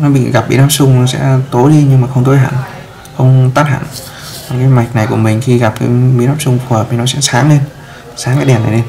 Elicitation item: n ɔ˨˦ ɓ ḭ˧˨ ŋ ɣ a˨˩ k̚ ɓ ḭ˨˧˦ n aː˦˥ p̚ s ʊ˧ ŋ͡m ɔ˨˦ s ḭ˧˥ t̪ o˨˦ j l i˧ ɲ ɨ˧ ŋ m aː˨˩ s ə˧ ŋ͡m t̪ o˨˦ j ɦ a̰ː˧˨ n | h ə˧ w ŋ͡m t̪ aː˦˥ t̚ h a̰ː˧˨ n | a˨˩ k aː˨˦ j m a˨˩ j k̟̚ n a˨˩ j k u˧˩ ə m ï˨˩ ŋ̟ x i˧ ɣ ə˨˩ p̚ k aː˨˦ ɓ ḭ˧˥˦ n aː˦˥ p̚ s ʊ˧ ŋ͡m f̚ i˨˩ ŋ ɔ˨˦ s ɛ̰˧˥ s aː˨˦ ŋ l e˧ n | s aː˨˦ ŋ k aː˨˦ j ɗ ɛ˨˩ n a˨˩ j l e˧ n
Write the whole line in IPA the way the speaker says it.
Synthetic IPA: n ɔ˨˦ ɓ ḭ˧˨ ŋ ɣ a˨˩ p̚ ɓ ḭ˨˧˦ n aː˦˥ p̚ s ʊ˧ ŋ͡m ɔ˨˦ s ɛ̰˧˥ t̪ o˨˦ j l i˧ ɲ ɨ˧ ŋ m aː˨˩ x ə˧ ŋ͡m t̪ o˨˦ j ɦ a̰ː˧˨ n | x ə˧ w ŋ͡m t̪ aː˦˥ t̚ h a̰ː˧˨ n | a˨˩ k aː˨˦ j m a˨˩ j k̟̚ n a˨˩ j k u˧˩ ə m ï˨˩ ŋ̟ x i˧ ɣ a˨˩ p̚ k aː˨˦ ɓ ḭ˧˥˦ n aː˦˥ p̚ s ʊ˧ ŋ͡m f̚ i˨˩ n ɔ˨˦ s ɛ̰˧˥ s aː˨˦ ŋ l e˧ n | s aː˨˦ ŋ k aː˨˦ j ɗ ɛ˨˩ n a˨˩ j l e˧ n